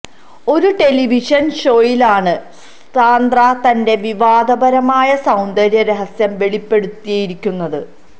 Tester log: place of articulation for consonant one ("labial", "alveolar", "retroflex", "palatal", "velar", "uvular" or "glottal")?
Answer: alveolar